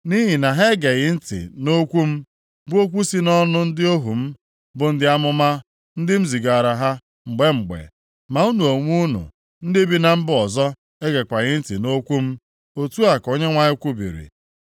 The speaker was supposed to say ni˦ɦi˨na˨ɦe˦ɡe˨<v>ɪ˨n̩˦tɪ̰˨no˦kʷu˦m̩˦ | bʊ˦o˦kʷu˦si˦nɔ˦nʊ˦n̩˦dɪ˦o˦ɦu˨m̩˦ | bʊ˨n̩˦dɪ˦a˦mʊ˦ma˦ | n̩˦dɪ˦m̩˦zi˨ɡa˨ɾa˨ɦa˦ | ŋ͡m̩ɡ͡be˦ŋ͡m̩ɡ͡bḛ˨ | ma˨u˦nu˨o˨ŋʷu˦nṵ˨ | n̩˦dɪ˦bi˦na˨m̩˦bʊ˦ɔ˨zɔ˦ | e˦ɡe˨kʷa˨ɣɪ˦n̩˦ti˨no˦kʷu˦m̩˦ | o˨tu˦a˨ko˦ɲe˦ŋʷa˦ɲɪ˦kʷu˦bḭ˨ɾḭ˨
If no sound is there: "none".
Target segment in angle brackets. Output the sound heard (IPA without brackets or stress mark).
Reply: ɣ